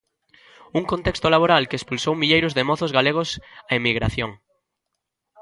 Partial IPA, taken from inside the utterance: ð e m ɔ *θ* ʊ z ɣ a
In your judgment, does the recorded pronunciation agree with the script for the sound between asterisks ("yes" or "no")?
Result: yes